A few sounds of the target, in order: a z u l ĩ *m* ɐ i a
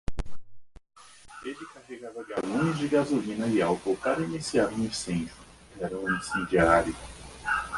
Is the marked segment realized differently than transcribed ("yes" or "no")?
yes